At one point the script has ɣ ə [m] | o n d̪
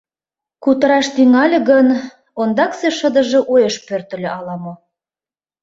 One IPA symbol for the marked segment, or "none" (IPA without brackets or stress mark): n